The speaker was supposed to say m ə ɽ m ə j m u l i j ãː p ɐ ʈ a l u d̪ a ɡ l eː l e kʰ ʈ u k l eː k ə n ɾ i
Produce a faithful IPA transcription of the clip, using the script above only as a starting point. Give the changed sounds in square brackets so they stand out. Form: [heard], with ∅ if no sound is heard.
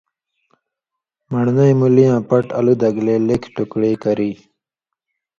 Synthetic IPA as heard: m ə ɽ [n] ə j m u l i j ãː p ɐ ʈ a l u d̪ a ɡ l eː l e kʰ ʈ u k [ɽ] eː k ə [∅] ɾ i

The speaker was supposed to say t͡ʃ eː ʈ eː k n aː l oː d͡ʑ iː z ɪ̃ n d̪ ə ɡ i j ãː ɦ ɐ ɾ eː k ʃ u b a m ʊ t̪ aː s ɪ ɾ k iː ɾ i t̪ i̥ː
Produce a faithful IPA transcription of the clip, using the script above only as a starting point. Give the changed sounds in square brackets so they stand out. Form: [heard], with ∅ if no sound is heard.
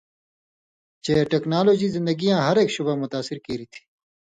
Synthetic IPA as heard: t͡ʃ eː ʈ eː k n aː l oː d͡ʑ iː z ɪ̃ n d̪ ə ɡ i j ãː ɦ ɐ ɾ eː k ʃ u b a m ʊ t̪ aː s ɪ ɾ k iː ɾ i [t̪ʰ] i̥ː

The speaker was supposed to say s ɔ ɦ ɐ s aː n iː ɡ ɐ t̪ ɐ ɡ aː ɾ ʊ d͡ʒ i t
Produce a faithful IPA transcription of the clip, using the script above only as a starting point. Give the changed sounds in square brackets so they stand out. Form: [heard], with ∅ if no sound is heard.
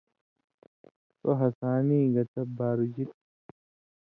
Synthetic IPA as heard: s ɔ ɦ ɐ s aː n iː ɡ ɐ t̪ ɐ [b] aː ɾ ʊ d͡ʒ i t

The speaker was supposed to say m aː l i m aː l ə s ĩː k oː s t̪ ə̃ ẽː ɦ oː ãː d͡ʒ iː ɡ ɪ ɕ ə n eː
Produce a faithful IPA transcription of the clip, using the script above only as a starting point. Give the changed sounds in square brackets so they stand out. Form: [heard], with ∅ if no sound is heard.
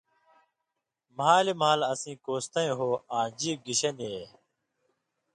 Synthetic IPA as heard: m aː l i m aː l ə s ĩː k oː s t̪ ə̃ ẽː ɦ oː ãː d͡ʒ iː ɡ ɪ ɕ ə n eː

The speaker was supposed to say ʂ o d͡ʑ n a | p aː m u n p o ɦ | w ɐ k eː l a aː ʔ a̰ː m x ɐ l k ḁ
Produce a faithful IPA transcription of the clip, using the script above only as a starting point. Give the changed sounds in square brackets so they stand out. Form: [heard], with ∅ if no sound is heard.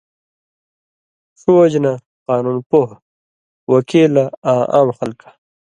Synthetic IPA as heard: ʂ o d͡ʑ n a | [q] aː [n] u n p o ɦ | w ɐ k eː l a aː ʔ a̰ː m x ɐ l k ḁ

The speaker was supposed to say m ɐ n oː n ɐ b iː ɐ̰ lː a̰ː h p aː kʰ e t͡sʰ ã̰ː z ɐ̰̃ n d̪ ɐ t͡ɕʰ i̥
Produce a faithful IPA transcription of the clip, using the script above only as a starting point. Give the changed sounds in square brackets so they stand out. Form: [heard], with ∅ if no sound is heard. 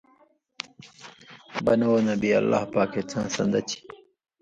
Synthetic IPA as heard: [b] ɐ n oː n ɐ b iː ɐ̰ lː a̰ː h p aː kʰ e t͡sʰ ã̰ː [s] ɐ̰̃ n d̪ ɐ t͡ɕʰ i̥

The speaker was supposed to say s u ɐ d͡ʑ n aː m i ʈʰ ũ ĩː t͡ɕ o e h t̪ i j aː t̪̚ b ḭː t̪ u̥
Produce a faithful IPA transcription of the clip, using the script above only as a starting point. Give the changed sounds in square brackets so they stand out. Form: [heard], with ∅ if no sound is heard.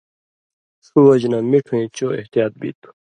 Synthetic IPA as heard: s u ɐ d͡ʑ n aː m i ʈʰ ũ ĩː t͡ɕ o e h t̪ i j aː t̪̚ b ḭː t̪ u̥

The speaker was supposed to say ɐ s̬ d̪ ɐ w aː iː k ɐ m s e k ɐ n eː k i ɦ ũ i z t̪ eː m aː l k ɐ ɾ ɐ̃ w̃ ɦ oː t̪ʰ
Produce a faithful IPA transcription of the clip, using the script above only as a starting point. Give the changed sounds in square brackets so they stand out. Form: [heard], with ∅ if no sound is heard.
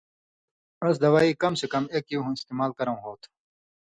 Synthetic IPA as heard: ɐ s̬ d̪ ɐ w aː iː k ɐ m s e k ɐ [m] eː k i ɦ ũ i [s] t̪ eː m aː l k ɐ ɾ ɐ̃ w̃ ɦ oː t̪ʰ

